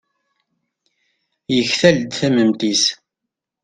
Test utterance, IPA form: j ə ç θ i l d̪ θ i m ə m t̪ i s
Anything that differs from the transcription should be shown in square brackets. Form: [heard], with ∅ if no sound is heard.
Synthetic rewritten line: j ə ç θ [æ] l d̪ θ [æ] m ə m t̪ i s